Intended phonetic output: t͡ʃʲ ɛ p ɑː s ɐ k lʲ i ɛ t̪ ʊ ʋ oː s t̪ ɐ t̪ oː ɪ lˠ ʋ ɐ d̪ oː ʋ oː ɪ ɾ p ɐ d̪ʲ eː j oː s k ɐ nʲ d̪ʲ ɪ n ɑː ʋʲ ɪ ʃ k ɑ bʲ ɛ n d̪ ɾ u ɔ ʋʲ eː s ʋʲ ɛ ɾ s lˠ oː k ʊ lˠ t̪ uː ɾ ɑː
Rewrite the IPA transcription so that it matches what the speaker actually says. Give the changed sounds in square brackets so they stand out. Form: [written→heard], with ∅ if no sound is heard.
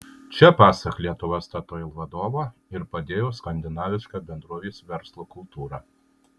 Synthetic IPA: t͡ʃʲ ɛ p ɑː s ɐ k lʲ i ɛ t̪ ʊ ʋ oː s t̪ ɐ t̪ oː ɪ lˠ ʋ ɐ d̪ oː ʋ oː ɪ ɾ p ɐ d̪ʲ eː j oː s k ɐ nʲ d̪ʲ ɪ n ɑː ʋʲ ɪ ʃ k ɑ bʲ ɛ n d̪ ɾ u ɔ ʋʲ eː s ʋʲ ɛ ɾ s lˠ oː k ʊ lˠ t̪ uː ɾ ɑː